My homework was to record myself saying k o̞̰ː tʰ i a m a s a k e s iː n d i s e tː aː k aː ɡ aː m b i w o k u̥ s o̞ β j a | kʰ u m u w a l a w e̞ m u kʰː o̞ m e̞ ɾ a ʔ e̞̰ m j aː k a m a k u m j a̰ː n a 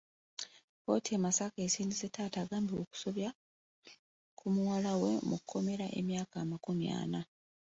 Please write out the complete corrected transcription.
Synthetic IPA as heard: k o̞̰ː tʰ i e m a s a k e s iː n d i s e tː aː t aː ɡ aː m b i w o k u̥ s o̞ β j a | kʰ u m u w a l a w e̞ m u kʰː o̞ m e̞ ɾ a ʔ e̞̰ m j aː k a m a k u m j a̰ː n a